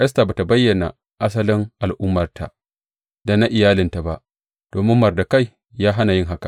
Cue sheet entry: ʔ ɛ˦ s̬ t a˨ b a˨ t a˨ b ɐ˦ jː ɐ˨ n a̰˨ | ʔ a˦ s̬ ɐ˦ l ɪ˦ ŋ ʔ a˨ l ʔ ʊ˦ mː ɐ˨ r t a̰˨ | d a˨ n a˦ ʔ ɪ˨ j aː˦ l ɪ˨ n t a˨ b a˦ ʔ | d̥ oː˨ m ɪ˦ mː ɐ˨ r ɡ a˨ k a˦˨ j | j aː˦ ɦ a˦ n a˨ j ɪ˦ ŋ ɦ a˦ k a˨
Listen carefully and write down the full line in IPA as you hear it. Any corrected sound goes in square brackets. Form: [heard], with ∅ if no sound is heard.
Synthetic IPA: ʔ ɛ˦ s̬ t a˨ b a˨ t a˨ b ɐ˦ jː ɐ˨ n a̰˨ | ʔ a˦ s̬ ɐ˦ l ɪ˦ ŋ ʔ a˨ l ʔ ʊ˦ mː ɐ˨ r t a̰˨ | d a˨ n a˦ ʔ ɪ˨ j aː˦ l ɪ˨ n t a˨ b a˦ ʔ | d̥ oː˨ m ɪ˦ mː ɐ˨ r [d] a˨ k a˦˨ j | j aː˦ ɦ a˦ n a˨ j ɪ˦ ŋ ɦ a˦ k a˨